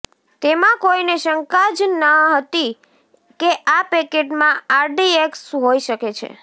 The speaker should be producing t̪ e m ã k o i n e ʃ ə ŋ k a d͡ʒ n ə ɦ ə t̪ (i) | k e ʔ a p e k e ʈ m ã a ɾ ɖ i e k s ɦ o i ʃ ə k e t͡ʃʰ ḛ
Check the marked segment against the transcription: correct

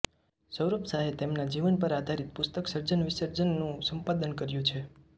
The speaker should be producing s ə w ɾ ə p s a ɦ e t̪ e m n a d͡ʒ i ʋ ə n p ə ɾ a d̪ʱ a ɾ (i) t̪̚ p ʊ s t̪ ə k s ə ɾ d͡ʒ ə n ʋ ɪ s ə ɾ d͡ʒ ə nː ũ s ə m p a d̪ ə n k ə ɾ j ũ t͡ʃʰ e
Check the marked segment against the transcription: correct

